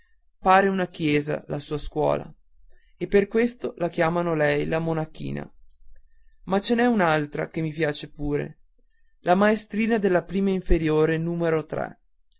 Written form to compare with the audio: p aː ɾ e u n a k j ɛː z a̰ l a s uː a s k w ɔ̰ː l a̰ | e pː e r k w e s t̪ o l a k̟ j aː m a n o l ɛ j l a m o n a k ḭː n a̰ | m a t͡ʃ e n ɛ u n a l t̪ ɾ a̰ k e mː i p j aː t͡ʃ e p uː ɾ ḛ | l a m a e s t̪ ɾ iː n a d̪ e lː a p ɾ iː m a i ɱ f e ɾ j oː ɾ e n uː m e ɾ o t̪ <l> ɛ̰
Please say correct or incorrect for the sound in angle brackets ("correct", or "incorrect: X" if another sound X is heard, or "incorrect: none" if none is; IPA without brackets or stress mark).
incorrect: ɾ